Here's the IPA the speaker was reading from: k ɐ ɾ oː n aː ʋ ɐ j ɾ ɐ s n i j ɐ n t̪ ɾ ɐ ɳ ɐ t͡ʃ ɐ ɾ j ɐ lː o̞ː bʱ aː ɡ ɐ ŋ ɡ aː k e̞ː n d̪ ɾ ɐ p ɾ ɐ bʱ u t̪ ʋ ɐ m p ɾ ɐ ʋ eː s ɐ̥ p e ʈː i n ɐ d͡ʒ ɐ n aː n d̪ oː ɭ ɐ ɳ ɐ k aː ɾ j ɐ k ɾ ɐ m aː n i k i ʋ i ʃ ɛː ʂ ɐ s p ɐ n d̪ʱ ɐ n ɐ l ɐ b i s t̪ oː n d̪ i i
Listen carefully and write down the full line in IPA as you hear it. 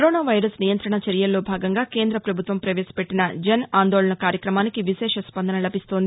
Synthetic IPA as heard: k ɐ ɾ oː n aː ʋ ɐ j ɾ ɐ s n i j ɐ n t̪ ɾ ɐ ɳ ɐ t͡ʃ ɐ ɾ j ɐ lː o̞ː bʱ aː ɡ ɐ ŋ ɡ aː k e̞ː n d̪ ɾ ɐ p ɾ ɐ bʱ u t̪ ʋ ɐ m p ɾ ɐ ʋ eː s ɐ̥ p e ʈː i n ɐ d͡ʒ ɐ n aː n d̪ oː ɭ ɐ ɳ ɐ k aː ɾ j ɐ k ɾ ɐ m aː n i k i ʋ i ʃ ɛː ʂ ɐ s p ɐ n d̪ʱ ɐ n ɐ l ɐ b i s t̪ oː n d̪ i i